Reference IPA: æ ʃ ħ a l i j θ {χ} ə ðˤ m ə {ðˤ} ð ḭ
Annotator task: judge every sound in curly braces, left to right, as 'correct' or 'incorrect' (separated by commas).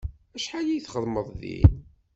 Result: correct, correct